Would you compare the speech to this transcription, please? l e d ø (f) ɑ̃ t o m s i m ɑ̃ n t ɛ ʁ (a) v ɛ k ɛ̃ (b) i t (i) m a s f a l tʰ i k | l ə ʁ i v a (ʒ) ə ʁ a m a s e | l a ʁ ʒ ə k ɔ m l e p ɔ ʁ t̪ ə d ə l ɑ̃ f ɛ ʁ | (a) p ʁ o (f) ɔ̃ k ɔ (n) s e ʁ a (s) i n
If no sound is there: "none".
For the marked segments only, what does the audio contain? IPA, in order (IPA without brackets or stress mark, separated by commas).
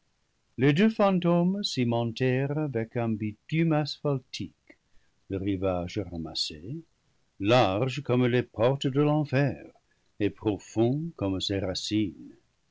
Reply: f, a, b, y, ʒ, e, f, m, s